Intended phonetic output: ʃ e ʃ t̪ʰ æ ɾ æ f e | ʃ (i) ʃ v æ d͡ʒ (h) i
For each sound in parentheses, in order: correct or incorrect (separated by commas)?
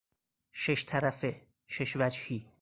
incorrect, correct